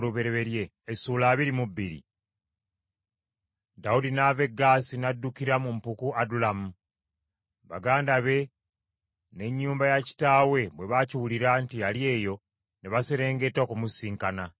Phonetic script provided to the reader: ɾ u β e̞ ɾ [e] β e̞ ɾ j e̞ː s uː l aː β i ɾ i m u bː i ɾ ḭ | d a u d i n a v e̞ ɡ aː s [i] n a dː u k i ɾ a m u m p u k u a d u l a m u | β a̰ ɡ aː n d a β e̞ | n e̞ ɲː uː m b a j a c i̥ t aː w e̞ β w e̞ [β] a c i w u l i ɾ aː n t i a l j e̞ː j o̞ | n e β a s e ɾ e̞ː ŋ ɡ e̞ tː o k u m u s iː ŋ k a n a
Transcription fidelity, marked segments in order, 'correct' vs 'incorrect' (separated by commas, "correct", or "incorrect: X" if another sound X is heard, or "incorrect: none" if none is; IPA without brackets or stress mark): correct, correct, correct